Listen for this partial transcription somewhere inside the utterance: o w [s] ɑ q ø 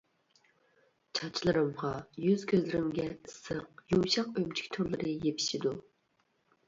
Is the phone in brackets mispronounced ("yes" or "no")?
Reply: yes